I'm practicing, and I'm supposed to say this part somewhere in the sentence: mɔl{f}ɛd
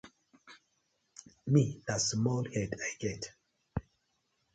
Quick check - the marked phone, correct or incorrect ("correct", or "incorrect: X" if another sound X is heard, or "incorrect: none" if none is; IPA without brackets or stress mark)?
incorrect: h